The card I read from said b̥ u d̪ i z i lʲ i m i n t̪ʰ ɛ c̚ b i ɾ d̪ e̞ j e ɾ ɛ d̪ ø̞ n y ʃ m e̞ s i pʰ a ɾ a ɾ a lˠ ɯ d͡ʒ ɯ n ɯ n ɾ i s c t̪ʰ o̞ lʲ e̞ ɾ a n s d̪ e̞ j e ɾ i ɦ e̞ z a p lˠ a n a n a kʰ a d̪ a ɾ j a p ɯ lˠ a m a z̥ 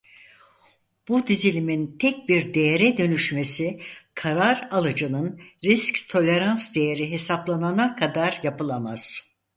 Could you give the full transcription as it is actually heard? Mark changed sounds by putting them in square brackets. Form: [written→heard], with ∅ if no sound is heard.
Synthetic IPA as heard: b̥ u d̪ i z i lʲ i m i n t̪ʰ ɛ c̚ b i ɾ d̪ e̞ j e ɾ ɛ d̪ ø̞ n y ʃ m e̞ s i [pʰ→kʰ] a ɾ a ɾ a lˠ ɯ d͡ʒ ɯ n ɯ n ɾ i s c t̪ʰ o̞ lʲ e̞ ɾ a n s d̪ e̞ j e ɾ i ɦ e̞ [z→s] a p lˠ a n a n a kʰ a d̪ a ɾ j a p ɯ lˠ a m a z̥